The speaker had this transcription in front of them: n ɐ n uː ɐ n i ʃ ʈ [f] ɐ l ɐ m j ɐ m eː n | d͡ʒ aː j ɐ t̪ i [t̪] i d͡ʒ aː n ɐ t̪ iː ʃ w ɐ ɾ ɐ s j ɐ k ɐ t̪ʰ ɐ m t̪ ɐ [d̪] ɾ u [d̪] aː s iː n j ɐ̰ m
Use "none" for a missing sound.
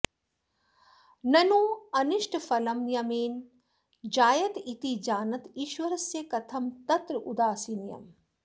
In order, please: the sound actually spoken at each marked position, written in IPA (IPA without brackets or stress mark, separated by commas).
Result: f, t̪, t̪, d̪